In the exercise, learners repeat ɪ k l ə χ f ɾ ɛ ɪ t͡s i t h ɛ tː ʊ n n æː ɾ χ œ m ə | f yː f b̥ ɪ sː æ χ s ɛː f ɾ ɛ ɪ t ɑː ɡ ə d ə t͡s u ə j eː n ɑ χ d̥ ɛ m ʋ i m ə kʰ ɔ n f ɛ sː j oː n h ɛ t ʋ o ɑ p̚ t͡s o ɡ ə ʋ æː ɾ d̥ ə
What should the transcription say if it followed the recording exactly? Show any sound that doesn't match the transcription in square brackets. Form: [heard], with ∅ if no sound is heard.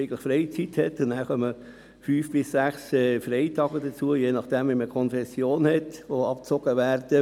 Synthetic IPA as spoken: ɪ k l ə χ f ɾ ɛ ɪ t͡s i t h ɛ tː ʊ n n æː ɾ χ œ m ə | f yː f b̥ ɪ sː æ χ s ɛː f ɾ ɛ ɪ t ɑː ɡ ə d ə t͡s u ə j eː n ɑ χ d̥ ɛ m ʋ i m ə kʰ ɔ n f ɛ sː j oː n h ɛ t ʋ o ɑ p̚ t͡s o ɡ ə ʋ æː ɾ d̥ ə